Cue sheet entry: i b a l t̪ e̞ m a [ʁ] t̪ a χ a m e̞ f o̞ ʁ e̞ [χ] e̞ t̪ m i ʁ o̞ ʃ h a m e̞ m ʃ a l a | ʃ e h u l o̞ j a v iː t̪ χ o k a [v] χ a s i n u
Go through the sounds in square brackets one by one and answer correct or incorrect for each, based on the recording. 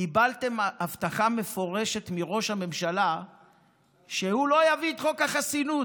incorrect, incorrect, incorrect

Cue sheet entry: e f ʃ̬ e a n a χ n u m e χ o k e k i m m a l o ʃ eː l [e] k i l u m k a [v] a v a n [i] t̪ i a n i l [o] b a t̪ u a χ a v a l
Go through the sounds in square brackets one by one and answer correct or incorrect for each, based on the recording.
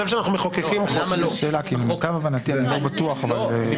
incorrect, correct, incorrect, correct

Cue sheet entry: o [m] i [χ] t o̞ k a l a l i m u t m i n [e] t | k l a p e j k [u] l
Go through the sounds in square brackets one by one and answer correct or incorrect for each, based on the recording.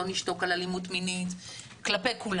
incorrect, incorrect, incorrect, correct

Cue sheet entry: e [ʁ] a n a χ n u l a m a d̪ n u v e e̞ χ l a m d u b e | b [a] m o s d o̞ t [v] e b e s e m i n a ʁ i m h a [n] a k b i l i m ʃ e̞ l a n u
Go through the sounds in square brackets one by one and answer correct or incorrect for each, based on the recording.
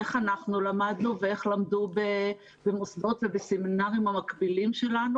incorrect, incorrect, correct, incorrect

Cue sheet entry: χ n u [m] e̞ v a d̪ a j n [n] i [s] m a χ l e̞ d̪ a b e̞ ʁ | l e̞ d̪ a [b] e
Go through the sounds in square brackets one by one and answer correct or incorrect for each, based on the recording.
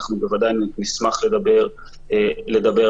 incorrect, correct, correct, correct

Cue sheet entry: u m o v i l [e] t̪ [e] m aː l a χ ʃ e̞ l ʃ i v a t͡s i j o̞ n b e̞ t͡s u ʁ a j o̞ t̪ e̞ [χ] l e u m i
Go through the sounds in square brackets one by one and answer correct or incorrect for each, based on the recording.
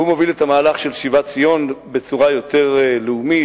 correct, incorrect, incorrect

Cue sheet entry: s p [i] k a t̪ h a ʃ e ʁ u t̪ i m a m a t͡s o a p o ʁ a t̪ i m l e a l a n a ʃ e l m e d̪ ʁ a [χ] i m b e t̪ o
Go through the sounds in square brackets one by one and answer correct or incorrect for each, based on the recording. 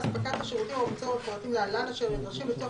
incorrect, incorrect

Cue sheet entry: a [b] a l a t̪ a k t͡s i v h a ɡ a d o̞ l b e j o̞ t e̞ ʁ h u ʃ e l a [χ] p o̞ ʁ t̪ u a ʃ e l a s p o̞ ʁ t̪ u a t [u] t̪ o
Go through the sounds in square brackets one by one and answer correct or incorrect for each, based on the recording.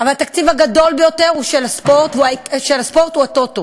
incorrect, incorrect, incorrect

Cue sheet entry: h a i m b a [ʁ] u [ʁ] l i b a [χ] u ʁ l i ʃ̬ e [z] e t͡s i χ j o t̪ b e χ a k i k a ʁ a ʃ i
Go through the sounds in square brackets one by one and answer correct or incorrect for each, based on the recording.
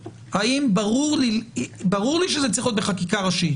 correct, correct, incorrect, correct

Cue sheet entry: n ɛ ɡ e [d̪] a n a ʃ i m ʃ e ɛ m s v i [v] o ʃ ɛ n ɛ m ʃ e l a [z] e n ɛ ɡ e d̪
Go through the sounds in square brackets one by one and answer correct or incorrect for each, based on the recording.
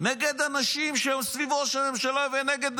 correct, correct, incorrect

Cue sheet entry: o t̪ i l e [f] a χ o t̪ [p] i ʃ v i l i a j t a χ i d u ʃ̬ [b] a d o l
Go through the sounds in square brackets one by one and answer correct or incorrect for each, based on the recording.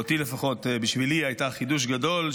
correct, incorrect, incorrect

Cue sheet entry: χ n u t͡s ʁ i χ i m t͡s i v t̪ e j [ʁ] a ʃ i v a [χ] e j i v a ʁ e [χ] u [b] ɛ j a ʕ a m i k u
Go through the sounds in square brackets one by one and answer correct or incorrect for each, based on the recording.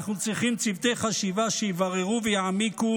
incorrect, incorrect, incorrect, incorrect

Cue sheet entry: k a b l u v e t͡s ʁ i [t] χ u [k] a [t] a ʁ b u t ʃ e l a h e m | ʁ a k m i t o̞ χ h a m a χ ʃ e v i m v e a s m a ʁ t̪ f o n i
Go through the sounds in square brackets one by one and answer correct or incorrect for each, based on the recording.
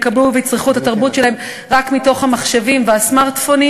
incorrect, incorrect, correct

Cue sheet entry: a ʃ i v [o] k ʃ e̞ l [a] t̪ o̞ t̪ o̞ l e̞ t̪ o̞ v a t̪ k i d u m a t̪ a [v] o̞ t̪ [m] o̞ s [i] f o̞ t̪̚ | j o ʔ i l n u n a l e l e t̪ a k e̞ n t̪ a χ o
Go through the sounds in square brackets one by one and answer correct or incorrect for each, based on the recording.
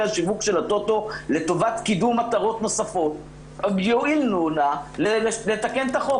incorrect, correct, incorrect, incorrect, incorrect

